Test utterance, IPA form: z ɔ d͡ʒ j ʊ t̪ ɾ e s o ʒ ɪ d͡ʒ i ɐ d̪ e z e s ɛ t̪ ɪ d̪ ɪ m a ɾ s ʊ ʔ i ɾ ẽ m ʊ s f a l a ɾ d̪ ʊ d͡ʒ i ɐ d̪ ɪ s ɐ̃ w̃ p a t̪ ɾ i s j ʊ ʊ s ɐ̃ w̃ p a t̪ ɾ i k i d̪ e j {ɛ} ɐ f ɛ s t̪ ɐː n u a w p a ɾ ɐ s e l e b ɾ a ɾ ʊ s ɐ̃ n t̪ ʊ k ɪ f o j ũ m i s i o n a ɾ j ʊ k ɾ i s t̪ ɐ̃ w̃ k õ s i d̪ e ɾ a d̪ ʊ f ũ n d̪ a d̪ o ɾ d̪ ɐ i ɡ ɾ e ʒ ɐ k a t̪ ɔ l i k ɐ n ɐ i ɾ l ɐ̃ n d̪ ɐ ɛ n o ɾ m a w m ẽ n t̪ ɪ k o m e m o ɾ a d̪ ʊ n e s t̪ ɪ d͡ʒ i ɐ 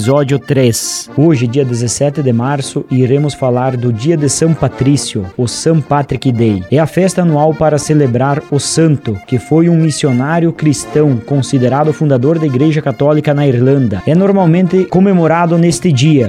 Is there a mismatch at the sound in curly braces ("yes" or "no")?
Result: no